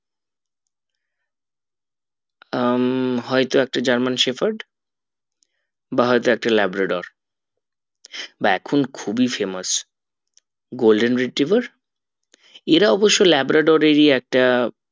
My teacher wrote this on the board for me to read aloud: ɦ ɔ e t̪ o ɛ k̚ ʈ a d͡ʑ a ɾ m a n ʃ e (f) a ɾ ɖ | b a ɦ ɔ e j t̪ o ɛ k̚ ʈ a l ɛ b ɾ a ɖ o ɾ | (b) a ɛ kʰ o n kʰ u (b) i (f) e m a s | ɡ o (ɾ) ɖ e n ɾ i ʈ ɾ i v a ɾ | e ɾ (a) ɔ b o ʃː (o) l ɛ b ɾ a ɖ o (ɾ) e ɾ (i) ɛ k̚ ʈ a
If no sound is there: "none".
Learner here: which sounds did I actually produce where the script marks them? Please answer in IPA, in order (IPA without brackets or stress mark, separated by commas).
f, b, b, f, l, a, o, ɾ, i